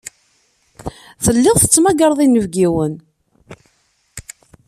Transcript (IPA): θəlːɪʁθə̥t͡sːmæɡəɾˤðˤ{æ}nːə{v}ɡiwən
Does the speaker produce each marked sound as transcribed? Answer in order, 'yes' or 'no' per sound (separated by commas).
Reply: no, yes